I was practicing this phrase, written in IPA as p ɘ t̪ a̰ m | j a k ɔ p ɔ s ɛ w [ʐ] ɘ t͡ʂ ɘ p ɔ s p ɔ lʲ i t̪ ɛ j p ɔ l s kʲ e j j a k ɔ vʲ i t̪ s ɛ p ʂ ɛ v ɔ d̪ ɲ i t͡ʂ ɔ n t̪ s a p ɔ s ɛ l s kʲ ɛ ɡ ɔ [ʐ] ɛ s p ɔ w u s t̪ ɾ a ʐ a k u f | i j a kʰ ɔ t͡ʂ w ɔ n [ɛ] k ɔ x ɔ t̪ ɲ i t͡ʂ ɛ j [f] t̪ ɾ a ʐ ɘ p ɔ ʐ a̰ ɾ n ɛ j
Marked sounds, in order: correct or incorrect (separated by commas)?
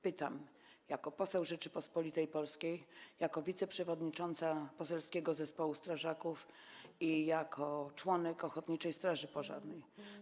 correct, incorrect, correct, incorrect